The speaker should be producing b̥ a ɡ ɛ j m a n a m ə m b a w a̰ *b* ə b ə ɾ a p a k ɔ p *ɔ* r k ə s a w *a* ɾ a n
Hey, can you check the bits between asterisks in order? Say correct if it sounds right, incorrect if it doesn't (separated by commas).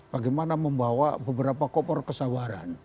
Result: correct, correct, correct